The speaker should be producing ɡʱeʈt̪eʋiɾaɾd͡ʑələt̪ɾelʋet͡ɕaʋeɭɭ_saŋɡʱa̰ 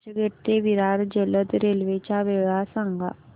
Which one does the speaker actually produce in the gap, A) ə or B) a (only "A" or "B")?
B